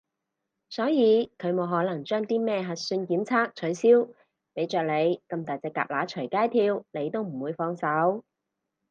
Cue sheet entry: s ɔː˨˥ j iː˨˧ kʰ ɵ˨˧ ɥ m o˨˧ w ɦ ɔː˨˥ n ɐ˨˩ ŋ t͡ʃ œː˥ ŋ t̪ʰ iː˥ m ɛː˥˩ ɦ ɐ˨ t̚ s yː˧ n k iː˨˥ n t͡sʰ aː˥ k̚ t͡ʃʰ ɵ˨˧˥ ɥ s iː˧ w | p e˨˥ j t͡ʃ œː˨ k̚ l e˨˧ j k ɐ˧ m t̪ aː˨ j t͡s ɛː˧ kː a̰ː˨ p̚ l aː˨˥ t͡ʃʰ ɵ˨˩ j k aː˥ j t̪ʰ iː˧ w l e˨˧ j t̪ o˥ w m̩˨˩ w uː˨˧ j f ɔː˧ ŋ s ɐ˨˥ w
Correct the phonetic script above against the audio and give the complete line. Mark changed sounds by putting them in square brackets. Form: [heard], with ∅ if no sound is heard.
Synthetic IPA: s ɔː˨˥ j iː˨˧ kʰ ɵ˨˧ ɥ m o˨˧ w ɦ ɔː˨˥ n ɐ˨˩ ŋ t͡ʃ œː˥ ŋ [t̪] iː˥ m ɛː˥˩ ɦ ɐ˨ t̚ s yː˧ n k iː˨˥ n t͡sʰ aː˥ k̚ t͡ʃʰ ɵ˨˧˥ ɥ s [iː˥] w | p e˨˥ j t͡ʃ œː˨ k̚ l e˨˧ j k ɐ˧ m t̪ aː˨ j t͡s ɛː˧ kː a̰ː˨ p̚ l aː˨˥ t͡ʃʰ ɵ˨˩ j k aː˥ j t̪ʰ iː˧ w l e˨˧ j t̪ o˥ w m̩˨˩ w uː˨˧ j f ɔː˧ ŋ s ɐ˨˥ w